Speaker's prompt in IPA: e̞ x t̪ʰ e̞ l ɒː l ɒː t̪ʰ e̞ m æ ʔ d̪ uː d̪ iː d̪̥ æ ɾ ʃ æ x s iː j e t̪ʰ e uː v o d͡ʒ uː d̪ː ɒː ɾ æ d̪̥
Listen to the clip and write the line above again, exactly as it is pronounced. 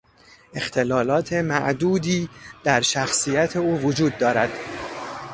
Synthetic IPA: e̞ x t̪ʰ e̞ l ɒː l ɒː t̪ʰ e̞ m æ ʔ d̪ uː d̪ iː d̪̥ æ ɾ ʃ æ x s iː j æ t̪ʰ e uː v o d͡ʒ uː d̪ː ɒː ɾ æ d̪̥